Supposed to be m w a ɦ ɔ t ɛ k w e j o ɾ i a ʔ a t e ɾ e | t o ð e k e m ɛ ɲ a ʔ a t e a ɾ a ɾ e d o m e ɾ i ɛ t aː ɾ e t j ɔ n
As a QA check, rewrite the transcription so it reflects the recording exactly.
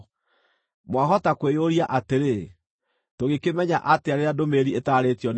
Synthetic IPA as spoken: m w a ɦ ɔ t a k w e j o ɾ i a ʔ a t e ɾ e | t o ɣ e k e m ɛ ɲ a ʔ a t e a ɾ e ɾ a d o m e ɾ i e t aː ɾ e t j ɔ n